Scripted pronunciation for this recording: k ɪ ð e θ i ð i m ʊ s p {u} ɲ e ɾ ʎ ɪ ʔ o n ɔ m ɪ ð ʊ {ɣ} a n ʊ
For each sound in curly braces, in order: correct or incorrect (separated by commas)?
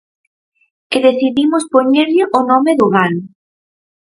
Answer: incorrect, correct